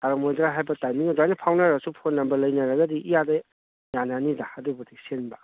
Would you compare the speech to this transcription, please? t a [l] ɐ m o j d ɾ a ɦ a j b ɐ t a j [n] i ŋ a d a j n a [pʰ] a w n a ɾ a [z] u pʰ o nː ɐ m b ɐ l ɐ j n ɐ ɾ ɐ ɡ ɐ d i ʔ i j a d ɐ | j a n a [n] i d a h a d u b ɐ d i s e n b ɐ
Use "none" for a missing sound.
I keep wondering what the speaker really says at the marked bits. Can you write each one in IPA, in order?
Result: ɾ, m, pʰ, s, n

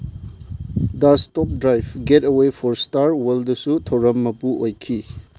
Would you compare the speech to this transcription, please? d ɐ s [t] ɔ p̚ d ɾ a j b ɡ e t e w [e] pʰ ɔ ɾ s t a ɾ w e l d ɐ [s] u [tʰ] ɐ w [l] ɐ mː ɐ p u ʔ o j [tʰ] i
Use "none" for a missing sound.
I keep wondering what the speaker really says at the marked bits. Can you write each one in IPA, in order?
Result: t, e, s, tʰ, ɾ, kʰ

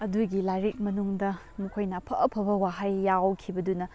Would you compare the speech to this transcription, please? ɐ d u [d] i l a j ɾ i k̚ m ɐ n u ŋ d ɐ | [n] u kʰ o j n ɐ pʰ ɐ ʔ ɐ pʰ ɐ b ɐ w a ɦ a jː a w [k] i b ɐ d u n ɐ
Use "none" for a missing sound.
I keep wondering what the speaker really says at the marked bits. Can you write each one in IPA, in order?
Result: ɡ, m, kʰ

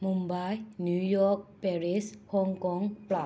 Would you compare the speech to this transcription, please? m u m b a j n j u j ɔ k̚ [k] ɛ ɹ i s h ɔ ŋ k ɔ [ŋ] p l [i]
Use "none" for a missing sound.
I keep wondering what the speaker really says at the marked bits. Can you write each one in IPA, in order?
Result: p, ŋ, a

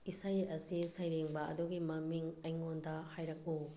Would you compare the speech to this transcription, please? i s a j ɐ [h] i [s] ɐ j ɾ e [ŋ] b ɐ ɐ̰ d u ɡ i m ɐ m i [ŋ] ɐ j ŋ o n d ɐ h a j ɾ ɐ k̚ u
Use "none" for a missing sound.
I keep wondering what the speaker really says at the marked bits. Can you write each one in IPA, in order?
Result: s, s, ŋ, ŋ

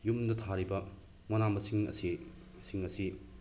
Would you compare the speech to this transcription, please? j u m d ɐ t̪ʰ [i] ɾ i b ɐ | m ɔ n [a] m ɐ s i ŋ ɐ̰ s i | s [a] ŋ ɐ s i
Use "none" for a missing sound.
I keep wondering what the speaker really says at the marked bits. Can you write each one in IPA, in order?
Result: a, a, i

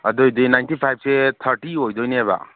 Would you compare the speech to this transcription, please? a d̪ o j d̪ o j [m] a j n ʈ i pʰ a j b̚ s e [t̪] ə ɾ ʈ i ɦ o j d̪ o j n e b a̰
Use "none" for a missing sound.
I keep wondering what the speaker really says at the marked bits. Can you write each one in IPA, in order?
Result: n, t̪ʰ

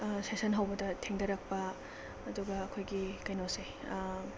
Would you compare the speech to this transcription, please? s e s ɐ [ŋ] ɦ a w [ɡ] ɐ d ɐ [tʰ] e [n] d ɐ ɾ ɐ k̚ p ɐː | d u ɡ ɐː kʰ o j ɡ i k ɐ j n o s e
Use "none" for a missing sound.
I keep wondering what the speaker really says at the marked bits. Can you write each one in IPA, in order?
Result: n, b, tʰ, ŋ

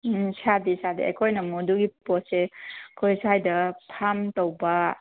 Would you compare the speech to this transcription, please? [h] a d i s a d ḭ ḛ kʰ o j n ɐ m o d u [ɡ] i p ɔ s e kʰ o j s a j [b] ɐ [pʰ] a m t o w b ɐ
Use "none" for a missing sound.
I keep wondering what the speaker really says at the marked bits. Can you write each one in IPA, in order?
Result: s, ɡ, d, pʰ

